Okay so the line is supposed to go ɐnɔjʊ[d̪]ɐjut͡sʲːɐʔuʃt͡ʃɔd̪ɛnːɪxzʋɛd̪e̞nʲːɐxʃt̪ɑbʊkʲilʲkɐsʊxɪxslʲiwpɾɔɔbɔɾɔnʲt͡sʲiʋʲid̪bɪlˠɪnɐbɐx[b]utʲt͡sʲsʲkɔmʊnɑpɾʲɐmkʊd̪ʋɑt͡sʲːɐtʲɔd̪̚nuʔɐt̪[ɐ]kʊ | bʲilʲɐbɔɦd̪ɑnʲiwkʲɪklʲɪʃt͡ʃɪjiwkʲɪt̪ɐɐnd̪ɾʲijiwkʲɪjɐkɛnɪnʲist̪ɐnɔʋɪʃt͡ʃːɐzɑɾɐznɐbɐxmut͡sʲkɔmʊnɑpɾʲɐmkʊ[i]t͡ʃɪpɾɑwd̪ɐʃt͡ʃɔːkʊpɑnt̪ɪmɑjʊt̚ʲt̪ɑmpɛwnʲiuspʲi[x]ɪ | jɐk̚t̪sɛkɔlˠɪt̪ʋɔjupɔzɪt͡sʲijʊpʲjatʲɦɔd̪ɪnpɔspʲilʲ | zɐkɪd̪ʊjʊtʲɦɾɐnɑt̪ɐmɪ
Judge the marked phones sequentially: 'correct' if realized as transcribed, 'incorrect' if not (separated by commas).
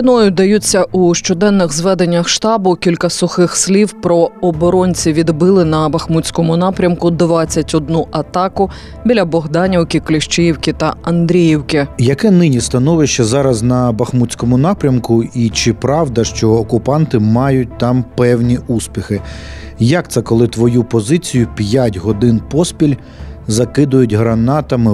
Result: correct, incorrect, incorrect, correct, correct